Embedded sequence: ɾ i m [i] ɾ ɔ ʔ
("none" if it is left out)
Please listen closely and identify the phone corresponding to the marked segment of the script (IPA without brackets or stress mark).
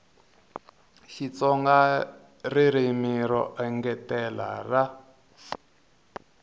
i